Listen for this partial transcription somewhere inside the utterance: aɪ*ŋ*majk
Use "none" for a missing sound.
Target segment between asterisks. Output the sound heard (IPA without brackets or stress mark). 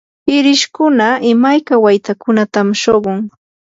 none